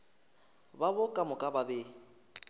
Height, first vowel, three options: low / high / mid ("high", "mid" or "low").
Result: low